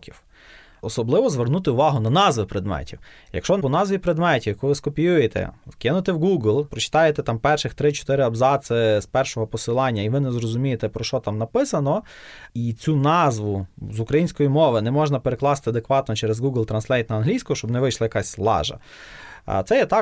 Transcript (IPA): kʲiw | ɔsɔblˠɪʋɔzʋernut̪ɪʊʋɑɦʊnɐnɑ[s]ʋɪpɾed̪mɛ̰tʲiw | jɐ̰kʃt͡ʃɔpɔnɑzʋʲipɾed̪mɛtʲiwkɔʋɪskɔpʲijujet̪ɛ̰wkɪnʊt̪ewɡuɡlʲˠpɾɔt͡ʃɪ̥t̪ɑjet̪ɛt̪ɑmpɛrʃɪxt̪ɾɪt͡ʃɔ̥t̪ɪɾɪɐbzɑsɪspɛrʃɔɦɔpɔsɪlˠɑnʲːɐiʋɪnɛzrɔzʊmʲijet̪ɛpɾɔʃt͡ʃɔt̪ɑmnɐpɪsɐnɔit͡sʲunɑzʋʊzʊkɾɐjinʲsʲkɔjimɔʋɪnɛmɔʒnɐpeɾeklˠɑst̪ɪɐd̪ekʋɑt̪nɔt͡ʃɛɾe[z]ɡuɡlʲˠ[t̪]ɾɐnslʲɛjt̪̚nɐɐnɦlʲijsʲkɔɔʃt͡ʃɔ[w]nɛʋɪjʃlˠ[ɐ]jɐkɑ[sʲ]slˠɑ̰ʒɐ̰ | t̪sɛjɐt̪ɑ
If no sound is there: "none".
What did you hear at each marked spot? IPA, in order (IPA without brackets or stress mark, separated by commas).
z, z, t̪, b, ɐ, sʲ